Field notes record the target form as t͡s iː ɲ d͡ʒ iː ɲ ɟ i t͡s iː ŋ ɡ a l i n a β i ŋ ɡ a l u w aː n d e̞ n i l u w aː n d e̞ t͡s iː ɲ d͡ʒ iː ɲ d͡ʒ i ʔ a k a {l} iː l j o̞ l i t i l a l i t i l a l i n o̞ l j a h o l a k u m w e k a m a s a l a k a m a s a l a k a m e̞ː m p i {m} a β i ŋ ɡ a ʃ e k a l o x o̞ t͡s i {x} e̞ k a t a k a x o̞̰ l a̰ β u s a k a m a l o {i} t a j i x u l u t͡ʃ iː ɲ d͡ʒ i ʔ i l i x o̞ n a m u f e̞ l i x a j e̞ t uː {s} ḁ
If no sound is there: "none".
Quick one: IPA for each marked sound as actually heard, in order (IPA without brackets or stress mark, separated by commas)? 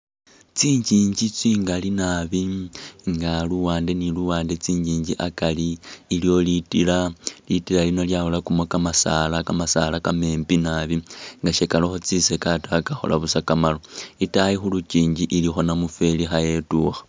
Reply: l, n, s, i, x